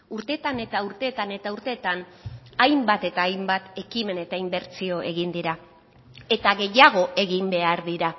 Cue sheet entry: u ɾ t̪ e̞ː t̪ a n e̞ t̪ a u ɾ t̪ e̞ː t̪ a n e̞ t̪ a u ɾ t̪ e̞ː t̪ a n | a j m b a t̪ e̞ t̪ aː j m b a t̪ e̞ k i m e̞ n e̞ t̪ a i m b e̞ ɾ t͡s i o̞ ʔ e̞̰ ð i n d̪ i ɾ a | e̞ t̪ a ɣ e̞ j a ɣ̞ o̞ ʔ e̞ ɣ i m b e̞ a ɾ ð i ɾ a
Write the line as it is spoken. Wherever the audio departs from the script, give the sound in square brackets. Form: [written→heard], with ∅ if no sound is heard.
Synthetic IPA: u ɾ t̪ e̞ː t̪ a n e̞ t̪ a u ɾ t̪ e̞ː t̪ a n e̞ t̪ a u ɾ t̪ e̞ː t̪ a n | a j m b a t̪ e̞ t̪ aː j m b a t̪ e̞ k i m e̞ n e̞ t̪ a i m b e̞ ɾ t͡s i o̞ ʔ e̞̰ [ð→ɣ] i n d̪ i ɾ a | e̞ t̪ a ɣ e̞ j a ɣ̞ o̞ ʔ e̞ ɣ i m b e̞ a ɾ ð i ɾ a